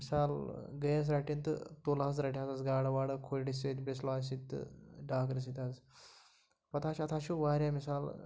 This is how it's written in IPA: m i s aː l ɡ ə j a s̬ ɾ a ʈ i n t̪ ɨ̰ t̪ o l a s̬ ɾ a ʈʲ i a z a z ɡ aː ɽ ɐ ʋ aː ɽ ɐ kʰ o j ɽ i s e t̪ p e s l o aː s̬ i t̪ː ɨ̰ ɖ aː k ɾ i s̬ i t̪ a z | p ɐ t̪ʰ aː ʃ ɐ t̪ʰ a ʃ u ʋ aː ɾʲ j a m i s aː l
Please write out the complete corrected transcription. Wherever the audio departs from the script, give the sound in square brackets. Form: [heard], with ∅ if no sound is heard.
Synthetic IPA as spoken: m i s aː l ɡ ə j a s̬ ɾ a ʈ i n t̪ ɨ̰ t̪ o l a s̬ ɾ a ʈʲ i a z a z ɡ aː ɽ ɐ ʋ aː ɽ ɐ kʰ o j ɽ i s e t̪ [b] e s l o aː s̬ i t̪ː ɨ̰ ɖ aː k ɾ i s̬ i t̪ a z | p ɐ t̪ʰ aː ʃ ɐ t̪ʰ a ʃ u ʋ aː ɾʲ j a m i s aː l